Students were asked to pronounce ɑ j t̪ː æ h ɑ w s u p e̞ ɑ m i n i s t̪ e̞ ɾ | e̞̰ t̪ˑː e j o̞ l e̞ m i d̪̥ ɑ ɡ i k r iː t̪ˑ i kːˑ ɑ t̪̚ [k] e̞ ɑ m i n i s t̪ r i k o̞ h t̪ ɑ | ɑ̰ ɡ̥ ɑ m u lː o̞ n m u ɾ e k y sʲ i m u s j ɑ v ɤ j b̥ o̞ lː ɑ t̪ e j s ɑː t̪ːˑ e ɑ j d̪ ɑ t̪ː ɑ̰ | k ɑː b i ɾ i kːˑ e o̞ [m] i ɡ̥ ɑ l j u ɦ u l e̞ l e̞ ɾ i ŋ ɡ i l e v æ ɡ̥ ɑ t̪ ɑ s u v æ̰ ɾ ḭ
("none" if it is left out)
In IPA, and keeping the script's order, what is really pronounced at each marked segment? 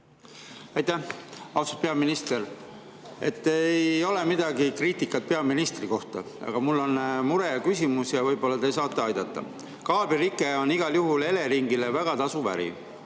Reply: p, n

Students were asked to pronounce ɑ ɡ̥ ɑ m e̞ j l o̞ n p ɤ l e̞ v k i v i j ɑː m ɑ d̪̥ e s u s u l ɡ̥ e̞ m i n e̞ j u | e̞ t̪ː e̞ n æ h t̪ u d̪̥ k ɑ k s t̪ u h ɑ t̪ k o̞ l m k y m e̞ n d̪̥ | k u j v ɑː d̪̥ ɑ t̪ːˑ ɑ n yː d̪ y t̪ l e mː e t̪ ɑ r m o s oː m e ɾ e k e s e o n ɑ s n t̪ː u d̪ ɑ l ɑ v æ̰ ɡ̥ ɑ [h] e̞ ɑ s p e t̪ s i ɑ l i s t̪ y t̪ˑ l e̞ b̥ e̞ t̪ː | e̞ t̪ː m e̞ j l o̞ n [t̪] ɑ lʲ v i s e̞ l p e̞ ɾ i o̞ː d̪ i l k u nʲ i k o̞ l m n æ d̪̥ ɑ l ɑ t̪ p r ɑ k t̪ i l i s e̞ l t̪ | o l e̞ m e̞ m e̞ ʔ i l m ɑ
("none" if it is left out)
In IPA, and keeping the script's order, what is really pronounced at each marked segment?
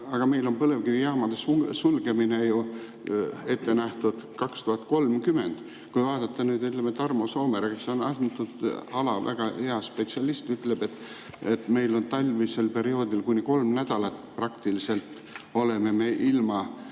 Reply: h, t̪

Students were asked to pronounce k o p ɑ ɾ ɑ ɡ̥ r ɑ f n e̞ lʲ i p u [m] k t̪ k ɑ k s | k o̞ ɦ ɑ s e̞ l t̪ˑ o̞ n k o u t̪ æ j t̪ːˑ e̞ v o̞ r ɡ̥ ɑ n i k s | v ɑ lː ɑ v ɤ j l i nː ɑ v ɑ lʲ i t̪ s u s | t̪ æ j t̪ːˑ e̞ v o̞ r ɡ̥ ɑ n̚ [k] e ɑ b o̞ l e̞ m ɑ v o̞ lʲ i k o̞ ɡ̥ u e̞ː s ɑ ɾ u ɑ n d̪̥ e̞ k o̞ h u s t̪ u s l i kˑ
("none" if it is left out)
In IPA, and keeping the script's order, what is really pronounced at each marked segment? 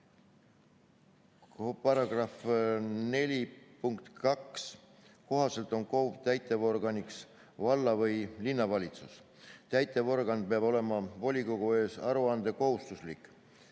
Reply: ŋ, p

